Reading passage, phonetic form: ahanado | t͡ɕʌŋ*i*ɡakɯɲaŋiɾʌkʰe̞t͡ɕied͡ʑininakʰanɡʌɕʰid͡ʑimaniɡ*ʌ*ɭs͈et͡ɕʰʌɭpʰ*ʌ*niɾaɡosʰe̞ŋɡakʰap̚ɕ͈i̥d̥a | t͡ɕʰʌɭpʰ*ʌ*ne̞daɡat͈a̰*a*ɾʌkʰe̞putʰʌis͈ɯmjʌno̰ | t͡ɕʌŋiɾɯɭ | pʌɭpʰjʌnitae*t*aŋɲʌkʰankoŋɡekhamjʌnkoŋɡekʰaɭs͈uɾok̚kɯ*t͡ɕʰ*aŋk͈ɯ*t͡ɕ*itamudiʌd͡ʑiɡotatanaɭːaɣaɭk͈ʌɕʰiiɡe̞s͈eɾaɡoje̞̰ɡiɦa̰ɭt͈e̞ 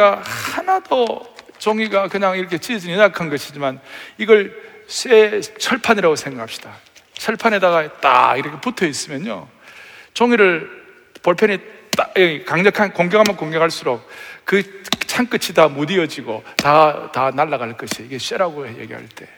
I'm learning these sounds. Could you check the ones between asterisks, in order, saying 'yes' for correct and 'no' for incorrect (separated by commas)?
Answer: yes, yes, no, no, no, no, yes, no